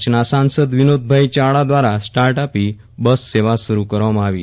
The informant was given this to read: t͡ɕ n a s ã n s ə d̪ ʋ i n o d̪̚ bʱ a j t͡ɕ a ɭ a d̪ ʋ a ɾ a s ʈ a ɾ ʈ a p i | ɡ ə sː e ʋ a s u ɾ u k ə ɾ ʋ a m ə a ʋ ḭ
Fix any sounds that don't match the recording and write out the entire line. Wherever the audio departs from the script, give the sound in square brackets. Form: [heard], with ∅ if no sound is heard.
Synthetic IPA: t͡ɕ n a s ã n s ə d̪ ʋ i n o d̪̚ bʱ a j t͡ɕ a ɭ a d̪ ʋ a ɾ a s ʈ a ɾ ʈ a p i | [b] ə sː e ʋ a s u ɾ u k ə ɾ ʋ a m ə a ʋ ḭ